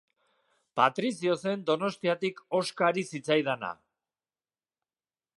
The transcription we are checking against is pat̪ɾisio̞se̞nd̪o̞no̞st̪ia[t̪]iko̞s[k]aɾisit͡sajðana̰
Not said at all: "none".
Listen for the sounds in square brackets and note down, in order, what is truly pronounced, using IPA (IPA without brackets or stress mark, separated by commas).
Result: t̪, k